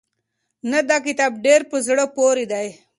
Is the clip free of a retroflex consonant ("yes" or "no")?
no